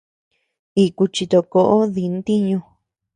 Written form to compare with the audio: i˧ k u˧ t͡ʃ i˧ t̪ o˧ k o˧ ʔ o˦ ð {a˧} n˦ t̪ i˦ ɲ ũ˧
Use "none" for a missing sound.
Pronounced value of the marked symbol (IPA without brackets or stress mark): i˧